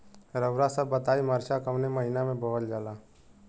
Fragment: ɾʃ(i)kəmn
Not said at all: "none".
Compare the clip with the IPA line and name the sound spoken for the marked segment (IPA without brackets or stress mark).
a